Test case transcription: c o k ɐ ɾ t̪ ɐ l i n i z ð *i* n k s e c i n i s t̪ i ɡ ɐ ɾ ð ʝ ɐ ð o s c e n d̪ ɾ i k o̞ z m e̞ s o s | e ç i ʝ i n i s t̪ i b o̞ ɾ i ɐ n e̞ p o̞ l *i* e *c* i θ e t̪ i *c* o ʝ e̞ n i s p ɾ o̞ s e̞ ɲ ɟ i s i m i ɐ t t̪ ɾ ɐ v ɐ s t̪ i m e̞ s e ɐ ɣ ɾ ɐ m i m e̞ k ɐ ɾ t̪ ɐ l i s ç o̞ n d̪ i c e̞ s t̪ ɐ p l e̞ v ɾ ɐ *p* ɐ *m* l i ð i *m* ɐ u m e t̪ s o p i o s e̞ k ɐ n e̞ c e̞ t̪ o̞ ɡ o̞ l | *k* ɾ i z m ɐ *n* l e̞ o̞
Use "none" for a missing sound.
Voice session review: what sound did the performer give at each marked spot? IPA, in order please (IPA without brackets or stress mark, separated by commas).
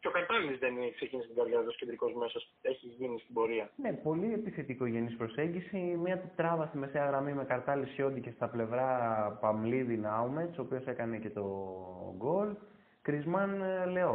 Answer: e, i, p, k, p, m, n, k, n